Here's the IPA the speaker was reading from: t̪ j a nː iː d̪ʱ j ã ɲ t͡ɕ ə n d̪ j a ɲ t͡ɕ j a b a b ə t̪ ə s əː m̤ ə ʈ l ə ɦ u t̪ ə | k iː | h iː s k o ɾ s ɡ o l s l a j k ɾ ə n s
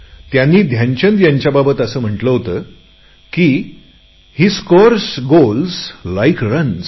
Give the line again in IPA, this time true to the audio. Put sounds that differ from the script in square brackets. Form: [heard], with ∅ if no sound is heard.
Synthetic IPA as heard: t̪ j a nː iː d̪ʱ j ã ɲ t͡ɕ ə n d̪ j a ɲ t͡ɕ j a b a b ə t̪ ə s əː m̤ ə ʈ l ə ɦ [o] t̪ ə | k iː | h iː s k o ɾ s ɡ o l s l a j k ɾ ə n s